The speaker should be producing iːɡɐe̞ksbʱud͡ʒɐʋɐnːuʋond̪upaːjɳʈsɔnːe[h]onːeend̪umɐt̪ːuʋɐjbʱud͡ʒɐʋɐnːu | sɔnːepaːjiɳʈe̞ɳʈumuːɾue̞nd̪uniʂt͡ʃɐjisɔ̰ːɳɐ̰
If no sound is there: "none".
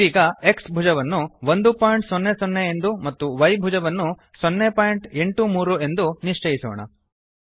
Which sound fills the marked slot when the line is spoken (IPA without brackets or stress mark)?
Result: s